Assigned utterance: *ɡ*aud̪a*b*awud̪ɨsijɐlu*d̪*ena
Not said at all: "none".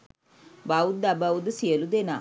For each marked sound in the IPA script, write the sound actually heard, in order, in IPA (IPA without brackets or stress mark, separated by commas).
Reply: b, b, d̪